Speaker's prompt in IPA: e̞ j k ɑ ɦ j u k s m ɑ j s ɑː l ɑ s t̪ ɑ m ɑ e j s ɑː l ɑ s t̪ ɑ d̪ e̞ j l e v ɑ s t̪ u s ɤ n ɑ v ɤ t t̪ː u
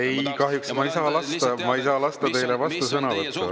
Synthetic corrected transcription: e̞ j k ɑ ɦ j u k s m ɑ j s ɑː l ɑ s t̪ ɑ m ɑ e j s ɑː l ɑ s t̪ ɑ t̪ e̞ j l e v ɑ s t̪ u s ɤ n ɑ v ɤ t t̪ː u

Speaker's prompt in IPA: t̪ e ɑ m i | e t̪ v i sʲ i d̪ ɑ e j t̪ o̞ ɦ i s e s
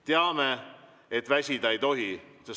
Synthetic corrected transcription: t̪ e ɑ m e | e t̪ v æ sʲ i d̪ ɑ e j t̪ o̞ ɦ i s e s

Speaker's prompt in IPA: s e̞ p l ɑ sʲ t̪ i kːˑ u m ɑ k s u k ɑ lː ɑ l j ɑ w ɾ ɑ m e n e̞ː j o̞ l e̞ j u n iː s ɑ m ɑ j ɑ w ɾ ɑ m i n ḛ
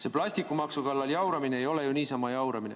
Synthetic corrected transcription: s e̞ p l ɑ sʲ t̪ i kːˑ u m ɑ k s u k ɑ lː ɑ l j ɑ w ɾ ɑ m i n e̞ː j o̞ l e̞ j u n iː s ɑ m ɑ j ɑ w ɾ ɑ m i n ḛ

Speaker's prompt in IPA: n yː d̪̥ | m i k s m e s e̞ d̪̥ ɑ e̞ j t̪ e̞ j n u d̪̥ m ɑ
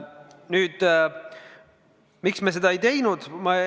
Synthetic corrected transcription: n yː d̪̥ | m i k s m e s e̞ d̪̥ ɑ e̞ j t̪ e̞ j n u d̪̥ m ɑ

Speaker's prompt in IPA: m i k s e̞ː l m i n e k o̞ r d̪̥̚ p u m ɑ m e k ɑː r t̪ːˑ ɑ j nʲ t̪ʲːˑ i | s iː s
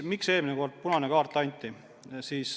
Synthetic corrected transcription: m i k s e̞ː l m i n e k o̞ r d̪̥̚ p u n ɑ n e k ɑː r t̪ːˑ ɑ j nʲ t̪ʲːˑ i | s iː s

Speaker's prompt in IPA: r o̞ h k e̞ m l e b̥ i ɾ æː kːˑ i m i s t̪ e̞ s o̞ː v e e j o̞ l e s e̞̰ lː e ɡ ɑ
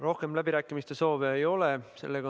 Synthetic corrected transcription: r o̞ h k e̞ m l æ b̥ i ɾ æː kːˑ i m i s t̪ e̞ s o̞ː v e e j o̞ l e s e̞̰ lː e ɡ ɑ

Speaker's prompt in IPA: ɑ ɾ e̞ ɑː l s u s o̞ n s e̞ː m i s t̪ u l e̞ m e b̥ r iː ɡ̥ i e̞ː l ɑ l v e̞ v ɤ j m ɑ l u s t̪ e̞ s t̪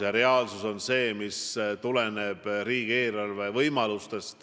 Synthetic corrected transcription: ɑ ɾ e̞ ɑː l s u s o̞ n s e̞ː m i s t̪ u l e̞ n e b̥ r iː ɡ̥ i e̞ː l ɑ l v e̞ v ɤ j m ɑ l u s t̪ e̞ s t̪

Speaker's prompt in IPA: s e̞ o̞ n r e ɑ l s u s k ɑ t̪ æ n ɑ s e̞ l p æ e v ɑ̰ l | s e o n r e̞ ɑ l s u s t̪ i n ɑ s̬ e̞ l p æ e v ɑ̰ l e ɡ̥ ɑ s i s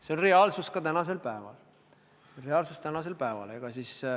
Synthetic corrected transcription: s e̞ o̞ n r e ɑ l s u s k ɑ t̪ æ n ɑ s e̞ l p æ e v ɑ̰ l | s e o n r e̞ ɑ l s u s t̪ æ n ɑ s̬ e̞ l p æ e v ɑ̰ l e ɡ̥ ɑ s i s

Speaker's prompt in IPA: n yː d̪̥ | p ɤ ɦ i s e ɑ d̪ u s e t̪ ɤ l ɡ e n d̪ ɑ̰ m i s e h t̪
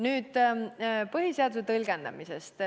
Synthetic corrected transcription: n yː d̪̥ | p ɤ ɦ i s e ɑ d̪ u s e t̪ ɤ l ɡ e n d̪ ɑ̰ m i s e s t̪

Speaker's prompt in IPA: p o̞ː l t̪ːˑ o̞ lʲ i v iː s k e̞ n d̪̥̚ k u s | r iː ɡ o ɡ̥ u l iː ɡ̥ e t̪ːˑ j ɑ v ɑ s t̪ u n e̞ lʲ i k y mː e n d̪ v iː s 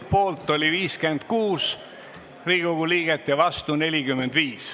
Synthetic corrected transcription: p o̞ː l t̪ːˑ o̞ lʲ i v iː s k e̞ n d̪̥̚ k uː s | r iː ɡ o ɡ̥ u l iː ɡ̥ e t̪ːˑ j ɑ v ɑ s t̪ u n e̞ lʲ i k y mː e n d̪ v iː s

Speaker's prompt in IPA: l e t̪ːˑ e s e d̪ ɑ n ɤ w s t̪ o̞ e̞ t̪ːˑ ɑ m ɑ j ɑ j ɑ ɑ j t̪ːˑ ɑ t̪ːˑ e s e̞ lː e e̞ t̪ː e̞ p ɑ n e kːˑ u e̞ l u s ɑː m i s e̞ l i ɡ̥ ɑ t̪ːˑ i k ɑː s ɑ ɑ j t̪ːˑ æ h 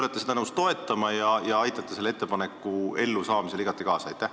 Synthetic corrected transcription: l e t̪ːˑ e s e d̪ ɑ n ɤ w s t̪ o̞ e̞ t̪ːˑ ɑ m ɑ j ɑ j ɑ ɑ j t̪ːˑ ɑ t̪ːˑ e s e̞ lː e e̞ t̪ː e̞ p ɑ n e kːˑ u e̞ lː u s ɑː m i s e̞ l i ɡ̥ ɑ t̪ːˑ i k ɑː s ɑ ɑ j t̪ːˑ æ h

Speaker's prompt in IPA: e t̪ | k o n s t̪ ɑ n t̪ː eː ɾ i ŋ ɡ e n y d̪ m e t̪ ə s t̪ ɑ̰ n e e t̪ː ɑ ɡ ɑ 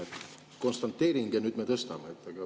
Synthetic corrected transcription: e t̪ | k o n s t̪ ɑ n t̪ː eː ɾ i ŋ ɡ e n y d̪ m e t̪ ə s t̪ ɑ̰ m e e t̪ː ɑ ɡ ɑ

